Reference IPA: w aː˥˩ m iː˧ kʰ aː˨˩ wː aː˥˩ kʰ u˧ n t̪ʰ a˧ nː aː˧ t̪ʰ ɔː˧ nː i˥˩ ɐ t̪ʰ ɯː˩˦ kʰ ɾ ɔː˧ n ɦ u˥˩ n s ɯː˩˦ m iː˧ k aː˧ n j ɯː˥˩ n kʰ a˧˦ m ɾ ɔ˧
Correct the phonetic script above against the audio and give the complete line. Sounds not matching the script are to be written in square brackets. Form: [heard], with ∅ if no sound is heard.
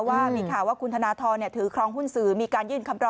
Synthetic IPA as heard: w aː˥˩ m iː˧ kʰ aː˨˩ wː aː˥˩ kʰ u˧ n t̪ʰ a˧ [n] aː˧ t̪ʰ ɔː˧ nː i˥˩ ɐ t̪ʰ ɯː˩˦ kʰ ɾ ɔː˧ [ŋ] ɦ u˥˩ n s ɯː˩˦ m iː˧ k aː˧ n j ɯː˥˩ n kʰ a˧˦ m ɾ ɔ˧